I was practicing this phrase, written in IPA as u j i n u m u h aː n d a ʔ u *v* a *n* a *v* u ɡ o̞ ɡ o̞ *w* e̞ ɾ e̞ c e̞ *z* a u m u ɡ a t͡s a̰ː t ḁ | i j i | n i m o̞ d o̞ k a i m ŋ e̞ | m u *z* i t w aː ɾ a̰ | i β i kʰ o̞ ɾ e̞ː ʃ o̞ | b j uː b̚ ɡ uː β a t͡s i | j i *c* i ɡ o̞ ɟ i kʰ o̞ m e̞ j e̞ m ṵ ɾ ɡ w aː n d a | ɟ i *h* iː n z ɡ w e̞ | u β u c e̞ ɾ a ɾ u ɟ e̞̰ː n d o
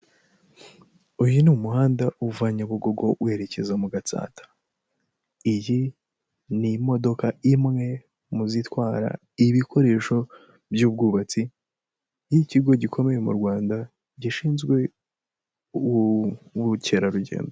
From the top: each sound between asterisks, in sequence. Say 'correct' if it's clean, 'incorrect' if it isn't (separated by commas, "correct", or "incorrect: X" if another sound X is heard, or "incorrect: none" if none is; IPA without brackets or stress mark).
correct, incorrect: ɲ, incorrect: β, correct, correct, correct, correct, incorrect: ʃ